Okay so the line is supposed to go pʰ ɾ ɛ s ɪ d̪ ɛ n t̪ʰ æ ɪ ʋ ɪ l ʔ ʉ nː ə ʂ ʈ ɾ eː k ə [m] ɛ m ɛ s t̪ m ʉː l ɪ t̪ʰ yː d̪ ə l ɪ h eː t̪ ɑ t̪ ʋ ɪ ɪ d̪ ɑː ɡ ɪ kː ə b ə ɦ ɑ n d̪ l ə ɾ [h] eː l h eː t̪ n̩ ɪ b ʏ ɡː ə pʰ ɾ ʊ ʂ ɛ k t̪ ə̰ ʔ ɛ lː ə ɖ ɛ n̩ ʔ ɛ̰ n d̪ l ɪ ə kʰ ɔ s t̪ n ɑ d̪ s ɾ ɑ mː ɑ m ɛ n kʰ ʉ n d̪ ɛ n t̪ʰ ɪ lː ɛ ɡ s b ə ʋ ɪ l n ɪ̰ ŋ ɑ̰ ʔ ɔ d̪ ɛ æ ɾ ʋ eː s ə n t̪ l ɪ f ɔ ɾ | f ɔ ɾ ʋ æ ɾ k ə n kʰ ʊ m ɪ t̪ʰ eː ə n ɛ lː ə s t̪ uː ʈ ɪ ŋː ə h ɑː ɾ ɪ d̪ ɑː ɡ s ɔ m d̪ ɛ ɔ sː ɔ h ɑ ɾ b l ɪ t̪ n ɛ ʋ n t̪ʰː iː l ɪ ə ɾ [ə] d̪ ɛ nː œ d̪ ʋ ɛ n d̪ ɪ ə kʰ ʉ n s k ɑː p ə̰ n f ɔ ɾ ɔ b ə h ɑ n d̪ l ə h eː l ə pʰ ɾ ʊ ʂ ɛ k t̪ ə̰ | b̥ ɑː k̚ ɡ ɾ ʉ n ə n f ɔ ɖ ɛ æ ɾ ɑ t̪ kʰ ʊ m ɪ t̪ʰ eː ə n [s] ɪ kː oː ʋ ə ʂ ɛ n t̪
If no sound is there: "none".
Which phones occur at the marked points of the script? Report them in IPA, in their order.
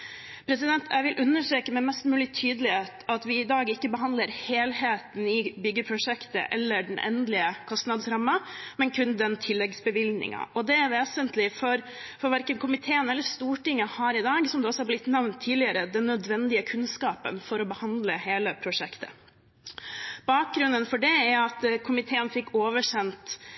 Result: m, h, ə, f

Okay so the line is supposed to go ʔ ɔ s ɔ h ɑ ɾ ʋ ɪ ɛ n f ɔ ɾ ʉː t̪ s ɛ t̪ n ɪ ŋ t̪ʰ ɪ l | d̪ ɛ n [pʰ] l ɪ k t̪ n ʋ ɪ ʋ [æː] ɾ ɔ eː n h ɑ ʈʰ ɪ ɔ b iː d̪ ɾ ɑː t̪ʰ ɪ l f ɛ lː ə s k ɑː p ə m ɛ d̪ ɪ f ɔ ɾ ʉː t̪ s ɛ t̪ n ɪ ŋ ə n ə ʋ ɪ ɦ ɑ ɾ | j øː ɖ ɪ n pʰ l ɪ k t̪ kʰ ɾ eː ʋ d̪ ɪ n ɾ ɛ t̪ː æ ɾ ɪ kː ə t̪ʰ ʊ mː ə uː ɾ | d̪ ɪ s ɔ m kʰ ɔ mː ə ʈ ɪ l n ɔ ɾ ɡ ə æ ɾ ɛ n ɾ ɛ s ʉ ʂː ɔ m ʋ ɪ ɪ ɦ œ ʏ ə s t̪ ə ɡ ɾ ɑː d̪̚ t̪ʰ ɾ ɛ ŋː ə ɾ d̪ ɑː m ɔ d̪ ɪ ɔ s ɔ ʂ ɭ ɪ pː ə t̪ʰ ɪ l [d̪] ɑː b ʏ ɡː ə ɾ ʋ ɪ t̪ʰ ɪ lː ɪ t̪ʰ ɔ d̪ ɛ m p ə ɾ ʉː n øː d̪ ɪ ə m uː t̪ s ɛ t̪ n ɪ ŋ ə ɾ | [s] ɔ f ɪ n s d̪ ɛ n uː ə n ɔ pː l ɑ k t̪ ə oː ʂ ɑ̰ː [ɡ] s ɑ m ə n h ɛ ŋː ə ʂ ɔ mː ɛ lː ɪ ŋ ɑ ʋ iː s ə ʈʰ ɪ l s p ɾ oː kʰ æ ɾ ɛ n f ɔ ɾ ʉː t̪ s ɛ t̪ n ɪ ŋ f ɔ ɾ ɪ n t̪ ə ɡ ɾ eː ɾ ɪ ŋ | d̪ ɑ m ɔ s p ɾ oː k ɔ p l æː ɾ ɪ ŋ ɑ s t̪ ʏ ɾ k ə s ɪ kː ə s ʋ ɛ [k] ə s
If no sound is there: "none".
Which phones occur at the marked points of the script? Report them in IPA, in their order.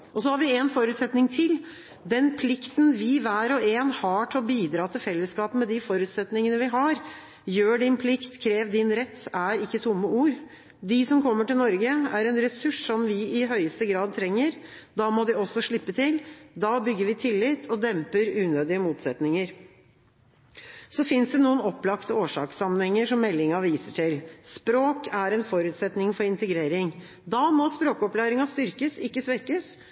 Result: pʰ, æː, d̪, s, k, k

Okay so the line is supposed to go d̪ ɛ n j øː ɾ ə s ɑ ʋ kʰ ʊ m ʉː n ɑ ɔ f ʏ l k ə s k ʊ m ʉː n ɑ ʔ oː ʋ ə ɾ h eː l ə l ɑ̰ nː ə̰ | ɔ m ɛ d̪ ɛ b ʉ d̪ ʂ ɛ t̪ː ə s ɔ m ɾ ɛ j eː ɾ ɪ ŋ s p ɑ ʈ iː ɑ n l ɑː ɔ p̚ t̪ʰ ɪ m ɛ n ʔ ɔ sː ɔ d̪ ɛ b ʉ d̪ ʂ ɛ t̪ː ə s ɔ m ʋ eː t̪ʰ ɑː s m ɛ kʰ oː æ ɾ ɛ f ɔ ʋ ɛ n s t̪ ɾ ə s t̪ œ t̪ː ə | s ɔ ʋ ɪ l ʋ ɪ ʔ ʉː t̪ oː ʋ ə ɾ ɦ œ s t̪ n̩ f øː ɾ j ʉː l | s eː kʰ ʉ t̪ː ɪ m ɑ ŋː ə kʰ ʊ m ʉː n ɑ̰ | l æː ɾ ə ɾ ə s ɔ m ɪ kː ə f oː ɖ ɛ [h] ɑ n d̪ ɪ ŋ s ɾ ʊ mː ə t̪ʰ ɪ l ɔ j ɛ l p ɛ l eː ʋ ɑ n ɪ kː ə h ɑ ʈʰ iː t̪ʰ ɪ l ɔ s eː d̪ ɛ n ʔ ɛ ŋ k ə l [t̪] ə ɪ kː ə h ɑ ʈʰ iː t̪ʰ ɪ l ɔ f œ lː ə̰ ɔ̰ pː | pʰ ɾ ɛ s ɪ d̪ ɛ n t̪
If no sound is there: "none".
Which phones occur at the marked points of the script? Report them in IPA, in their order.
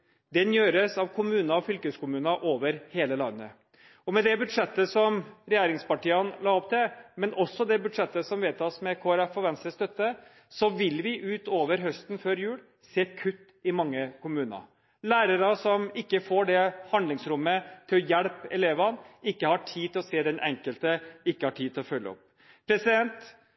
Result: h, t̪

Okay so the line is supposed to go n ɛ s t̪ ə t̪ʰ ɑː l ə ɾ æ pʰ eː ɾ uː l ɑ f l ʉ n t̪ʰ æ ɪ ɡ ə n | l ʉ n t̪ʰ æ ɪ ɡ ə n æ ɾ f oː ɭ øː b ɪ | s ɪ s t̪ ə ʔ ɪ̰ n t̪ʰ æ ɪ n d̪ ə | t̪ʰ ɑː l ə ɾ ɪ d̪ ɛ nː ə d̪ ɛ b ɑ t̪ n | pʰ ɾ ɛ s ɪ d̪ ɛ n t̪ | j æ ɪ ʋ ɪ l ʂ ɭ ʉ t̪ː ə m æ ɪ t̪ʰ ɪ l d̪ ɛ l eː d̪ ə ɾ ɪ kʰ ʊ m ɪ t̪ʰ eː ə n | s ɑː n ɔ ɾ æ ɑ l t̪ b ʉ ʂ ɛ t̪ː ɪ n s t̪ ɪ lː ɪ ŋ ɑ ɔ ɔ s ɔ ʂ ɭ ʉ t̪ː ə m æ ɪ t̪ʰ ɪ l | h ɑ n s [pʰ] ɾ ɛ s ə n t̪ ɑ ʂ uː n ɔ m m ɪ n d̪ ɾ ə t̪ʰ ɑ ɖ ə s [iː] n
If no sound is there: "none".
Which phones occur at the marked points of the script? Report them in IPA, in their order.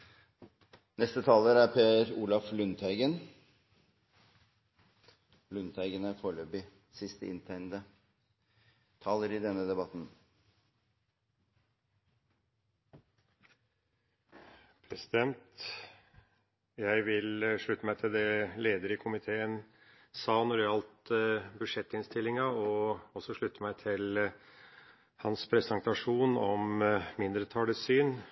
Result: pʰ, yː

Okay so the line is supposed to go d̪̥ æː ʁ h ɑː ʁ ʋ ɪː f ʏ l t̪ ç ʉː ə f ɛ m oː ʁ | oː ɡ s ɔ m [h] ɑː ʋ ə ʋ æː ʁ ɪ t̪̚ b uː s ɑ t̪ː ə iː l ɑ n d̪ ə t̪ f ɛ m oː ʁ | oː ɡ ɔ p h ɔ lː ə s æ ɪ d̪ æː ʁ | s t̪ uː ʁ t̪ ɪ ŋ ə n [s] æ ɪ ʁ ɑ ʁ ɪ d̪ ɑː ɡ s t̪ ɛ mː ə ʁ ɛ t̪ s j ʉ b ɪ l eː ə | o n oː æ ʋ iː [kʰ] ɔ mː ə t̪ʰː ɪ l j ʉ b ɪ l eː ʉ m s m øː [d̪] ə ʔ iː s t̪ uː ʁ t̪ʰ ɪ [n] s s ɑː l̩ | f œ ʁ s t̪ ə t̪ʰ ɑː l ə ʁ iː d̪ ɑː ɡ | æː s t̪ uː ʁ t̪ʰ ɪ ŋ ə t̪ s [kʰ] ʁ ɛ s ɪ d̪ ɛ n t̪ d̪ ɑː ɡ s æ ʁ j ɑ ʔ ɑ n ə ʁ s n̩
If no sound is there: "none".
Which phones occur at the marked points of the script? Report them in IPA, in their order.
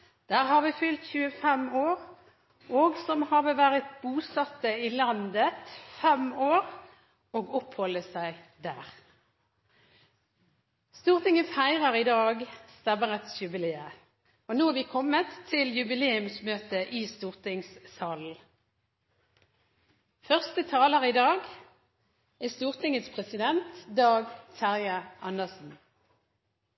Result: h, f, kʰ, t̪, ŋ, pʰ

